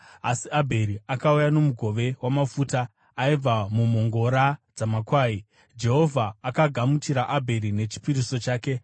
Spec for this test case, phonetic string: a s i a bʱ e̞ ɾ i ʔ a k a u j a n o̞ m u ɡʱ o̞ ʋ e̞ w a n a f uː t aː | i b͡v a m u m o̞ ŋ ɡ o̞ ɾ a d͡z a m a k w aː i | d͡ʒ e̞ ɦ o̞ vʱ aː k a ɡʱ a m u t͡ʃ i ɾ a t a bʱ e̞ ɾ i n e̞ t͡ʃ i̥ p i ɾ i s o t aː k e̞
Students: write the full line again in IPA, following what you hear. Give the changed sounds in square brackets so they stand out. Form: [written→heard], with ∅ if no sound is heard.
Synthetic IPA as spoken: a s i a bʱ e̞ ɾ i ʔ a k a u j a n o̞ m u ɡʱ o̞ ʋ e̞ w a [n→m] a f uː t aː | i b͡v a m u m o̞ ŋ ɡ o̞ ɾ a d͡z a m a k w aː i | d͡ʒ e̞ ɦ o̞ vʱ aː k a ɡʱ a m u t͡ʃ i ɾ a [t→ʔ] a bʱ e̞ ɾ i n e̞ t͡ʃ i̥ p i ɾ i s o [t→t͡ʃ] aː k e̞